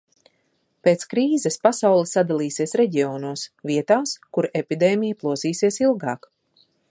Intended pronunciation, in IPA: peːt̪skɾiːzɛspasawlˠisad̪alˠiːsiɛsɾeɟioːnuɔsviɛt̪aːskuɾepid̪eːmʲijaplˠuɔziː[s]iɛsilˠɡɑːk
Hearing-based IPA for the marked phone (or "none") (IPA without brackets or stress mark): s